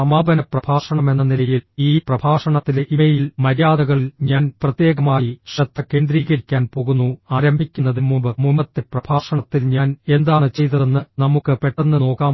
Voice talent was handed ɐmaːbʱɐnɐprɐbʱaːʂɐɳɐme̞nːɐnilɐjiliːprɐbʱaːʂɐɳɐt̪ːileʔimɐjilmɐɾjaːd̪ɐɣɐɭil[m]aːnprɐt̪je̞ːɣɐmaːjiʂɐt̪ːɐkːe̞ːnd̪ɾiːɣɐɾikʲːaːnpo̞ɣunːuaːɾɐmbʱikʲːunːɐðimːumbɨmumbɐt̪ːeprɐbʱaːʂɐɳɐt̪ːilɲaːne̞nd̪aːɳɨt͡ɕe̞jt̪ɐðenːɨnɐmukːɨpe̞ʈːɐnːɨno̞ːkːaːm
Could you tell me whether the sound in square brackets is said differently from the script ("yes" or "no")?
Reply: yes